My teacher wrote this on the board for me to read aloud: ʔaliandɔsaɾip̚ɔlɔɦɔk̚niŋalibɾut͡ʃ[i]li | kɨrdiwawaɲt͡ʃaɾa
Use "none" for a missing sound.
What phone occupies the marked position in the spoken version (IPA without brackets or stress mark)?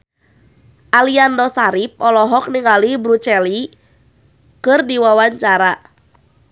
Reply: ɛ